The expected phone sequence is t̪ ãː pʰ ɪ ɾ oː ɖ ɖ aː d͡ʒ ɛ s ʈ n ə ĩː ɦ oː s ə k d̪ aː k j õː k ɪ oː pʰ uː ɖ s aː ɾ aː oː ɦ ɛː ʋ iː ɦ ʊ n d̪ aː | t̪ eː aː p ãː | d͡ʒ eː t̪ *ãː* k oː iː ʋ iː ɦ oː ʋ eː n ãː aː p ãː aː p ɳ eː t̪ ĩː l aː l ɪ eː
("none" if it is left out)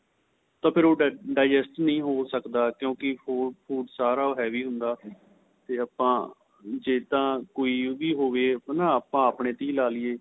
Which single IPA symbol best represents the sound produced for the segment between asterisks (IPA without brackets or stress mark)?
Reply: ãː